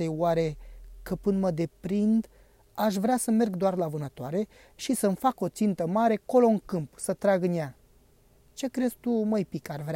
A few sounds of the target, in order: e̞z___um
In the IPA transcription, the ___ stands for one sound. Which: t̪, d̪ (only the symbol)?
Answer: t̪